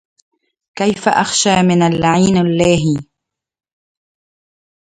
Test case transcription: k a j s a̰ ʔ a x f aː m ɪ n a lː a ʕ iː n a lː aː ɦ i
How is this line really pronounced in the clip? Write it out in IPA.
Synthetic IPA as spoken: k a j f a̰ ʔ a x ʃ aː m ɪ n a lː a ʕ iː n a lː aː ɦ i